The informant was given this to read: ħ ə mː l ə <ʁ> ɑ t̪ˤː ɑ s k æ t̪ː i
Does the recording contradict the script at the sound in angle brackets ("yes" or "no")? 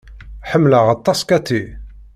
no